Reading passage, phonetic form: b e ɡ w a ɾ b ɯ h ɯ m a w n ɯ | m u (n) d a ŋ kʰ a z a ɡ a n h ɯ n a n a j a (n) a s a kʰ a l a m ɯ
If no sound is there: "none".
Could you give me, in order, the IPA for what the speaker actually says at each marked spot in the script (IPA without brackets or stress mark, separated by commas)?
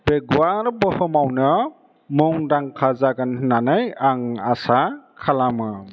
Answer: ŋ, ŋ